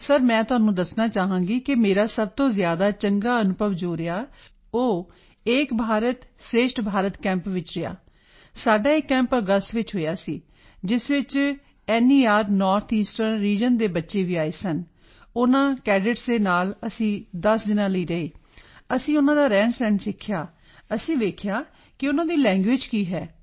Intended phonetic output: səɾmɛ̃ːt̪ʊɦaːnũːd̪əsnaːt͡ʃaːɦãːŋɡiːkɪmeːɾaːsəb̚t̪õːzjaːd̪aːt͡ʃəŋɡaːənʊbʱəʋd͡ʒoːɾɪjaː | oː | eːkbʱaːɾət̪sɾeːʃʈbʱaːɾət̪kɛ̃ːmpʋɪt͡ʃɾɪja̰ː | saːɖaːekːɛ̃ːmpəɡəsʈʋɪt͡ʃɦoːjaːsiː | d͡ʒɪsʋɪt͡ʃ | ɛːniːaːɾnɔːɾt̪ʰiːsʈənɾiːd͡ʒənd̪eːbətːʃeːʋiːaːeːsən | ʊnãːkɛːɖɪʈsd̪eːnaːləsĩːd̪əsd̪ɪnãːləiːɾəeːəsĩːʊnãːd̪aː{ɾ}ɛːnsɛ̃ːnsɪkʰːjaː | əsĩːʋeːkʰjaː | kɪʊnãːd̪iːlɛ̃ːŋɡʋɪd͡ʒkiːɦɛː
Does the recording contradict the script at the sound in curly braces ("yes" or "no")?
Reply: no